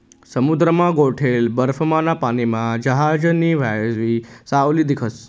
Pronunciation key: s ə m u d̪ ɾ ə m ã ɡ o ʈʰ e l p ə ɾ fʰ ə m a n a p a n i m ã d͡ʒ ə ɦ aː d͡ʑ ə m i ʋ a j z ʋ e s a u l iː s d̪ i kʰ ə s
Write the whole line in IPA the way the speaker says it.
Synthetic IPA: s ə m u d̪ ɾ ə m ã ɡ o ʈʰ e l b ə ɾ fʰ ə m a n a p a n i m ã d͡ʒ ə ɦ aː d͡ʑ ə n i ʋ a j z ʋ i s a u l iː d̪ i kʰ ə s